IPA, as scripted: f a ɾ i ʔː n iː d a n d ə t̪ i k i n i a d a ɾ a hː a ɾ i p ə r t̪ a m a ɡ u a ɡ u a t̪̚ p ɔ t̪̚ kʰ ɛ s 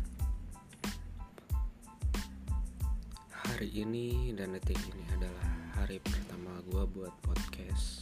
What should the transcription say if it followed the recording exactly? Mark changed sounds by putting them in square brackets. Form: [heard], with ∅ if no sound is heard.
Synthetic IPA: [h] a ɾ i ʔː n [i] d a n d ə t̪ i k i n i a d a [l] a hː a ɾ i p ə r t̪ a m a ɡ u a [b] u a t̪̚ p ɔ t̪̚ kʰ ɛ s